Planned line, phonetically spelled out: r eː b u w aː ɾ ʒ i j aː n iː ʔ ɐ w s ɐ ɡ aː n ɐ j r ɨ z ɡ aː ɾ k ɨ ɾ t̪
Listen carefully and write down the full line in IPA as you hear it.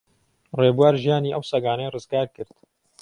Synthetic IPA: r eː b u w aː ɾ ʒ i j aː n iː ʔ ɐ w s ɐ ɡ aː n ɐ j r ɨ z ɡ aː ɾ k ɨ ɾ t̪

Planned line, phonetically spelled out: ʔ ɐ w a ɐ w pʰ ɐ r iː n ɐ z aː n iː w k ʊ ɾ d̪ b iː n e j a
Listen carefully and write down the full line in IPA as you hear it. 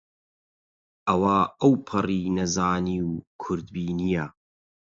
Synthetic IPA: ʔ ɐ w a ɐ w pʰ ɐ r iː n ɐ z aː n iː w kʰ ʊ ɾ d̪ b iː n i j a

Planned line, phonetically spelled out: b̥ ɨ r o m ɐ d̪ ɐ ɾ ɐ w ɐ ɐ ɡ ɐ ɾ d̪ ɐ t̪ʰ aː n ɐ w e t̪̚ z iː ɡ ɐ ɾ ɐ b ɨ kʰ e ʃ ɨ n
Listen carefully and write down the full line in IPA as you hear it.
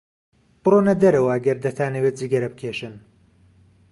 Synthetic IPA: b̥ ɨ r o n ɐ d̪ ɐ ɾ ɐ w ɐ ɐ ɡ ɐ ɾ d̪ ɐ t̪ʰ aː n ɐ w e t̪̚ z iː ɡ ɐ ɾ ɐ b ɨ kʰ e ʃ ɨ n

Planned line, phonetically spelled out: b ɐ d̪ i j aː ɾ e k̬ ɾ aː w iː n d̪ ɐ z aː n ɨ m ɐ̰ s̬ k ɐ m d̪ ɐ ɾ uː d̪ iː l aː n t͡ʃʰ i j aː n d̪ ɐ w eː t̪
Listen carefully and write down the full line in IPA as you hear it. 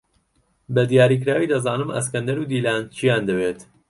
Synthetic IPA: b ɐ d̪ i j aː ɾ i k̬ ɾ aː w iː d̪ ɐ z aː n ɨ m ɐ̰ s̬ k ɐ n d̪ ɐ ɾ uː d̪ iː l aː n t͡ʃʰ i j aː n d̪ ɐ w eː t̪

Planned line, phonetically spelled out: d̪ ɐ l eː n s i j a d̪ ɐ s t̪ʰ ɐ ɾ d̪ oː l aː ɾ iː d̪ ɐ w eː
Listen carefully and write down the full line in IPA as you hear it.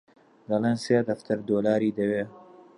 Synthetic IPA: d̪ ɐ l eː n s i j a d̪ ɐ f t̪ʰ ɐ ɾ d̪ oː l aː ɾ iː d̪ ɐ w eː

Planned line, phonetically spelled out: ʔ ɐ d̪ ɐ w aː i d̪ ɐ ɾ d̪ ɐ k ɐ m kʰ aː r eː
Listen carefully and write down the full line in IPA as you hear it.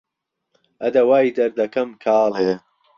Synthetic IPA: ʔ ɐ d̪ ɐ w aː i d̪ ɐ ɾ d̪ ɐ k ɐ m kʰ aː l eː

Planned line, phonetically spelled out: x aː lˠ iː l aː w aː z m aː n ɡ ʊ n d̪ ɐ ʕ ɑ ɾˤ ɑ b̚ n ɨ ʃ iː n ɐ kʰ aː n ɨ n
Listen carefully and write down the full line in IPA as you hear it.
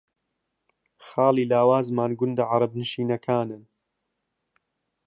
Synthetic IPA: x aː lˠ iː l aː w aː z m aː n ɡ ʊ n d̪ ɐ ʕ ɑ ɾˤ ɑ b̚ n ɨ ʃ iː n ɐ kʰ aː n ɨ n

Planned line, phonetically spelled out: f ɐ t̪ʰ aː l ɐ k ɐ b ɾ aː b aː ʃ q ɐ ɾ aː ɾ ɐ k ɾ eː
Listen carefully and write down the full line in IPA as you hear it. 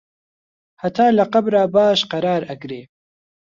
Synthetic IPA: h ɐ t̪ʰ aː l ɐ q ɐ b ɾ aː b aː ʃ q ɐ ɾ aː ɾ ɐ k ɾ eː

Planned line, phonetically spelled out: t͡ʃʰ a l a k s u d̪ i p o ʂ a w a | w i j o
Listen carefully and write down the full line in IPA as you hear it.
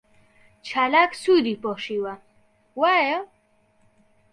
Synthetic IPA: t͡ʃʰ a l a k s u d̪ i p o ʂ i w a | w a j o

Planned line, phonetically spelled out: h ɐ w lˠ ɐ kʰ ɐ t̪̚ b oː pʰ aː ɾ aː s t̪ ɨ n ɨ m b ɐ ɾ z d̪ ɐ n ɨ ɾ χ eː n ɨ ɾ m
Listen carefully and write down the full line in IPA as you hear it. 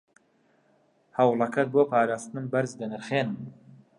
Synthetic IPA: h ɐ w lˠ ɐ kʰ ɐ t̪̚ b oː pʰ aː ɾ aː s t̪ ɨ n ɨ m b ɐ ɾ z d̪ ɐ n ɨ ɾ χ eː n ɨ m

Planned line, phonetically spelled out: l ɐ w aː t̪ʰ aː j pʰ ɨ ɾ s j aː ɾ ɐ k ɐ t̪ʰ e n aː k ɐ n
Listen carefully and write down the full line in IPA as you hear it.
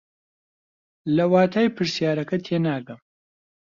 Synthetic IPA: l ɐ w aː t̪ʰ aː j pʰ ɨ ɾ s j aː ɾ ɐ k ɐ t̪ʰ e n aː ɡ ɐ m

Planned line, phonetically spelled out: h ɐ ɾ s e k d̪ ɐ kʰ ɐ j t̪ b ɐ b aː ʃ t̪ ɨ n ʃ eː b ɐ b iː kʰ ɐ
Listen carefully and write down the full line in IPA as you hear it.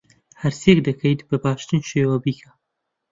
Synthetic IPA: h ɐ ɾ s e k d̪ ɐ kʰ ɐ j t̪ b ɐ b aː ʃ t̪ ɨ n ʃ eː w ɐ b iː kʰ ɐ

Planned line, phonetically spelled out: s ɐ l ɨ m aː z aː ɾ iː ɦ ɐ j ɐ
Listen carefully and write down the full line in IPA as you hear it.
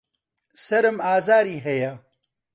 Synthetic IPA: s ɐ ɾ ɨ m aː z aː ɾ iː ɦ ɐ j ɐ

